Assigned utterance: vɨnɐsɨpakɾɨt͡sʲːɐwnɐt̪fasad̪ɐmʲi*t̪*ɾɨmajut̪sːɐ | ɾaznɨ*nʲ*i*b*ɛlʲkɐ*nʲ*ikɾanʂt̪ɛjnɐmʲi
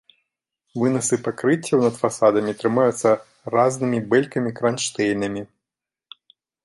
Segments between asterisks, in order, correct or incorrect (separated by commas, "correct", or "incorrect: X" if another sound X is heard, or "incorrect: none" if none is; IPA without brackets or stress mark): correct, incorrect: mʲ, correct, incorrect: mʲ